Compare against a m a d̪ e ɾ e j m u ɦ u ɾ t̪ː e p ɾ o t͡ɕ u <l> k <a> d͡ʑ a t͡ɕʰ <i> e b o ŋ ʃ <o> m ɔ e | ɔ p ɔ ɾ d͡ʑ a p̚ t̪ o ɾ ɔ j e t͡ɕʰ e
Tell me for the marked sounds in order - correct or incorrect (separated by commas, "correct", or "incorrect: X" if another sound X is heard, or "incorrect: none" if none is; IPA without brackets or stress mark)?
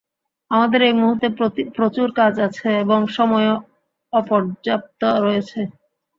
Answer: incorrect: ɾ, correct, incorrect: e, incorrect: ɔ